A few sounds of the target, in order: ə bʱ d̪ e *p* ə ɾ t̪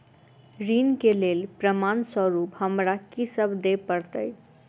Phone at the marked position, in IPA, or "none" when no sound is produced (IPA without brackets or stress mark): p